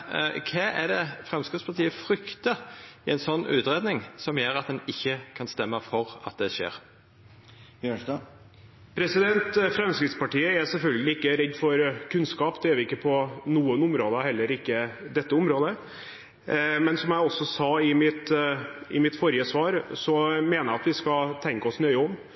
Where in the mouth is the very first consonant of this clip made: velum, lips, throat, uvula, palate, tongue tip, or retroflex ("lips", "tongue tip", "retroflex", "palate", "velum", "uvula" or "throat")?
velum